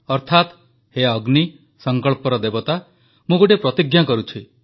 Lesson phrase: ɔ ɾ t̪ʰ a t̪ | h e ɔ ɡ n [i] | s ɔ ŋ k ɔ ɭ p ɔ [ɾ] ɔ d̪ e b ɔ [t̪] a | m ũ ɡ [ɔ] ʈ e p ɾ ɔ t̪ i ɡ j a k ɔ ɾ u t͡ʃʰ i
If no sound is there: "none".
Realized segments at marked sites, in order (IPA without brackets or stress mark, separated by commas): i, ɾ, t̪, o